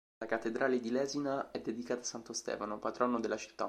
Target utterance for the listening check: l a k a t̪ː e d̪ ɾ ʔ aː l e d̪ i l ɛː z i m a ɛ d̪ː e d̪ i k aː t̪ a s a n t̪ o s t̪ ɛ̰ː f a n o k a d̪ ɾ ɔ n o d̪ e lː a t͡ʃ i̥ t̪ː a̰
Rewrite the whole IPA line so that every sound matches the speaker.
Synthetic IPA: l a k a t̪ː e d̪ ɾ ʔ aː l e d̪ i l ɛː z i n a ɛ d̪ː e d̪ i k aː t̪ a s a n t̪ o s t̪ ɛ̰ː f a n o p a t̪ ɾ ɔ n o d̪ e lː a t͡ʃ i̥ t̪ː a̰